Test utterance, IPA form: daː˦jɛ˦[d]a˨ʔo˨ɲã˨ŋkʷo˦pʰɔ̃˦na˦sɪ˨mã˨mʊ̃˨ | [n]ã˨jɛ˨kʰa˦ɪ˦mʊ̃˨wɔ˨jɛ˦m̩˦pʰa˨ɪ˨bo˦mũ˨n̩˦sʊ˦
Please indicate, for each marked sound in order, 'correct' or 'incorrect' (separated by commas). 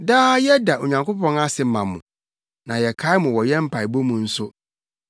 correct, correct